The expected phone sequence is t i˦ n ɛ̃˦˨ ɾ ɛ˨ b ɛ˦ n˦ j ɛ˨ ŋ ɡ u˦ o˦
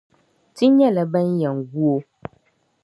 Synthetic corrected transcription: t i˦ ɲ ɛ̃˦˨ l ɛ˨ b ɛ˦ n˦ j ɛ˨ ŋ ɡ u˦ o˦